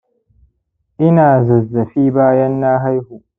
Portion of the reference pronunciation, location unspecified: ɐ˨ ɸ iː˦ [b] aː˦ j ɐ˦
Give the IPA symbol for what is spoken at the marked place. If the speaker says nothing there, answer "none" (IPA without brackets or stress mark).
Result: b